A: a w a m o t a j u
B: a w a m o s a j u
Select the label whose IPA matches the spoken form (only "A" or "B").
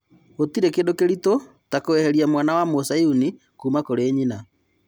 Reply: B